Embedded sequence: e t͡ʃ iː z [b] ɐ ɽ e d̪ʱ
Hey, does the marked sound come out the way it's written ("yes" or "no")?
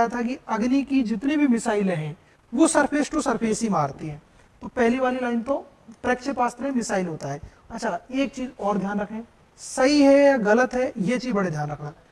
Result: yes